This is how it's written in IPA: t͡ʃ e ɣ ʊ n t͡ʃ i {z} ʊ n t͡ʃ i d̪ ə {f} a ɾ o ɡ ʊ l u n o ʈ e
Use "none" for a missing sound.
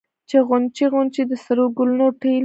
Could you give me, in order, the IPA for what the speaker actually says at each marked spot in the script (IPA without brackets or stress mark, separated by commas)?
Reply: ɣ, s